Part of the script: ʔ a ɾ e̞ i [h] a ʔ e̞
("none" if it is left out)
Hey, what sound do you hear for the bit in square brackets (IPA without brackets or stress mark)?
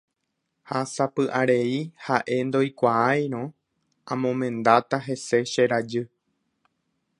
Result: h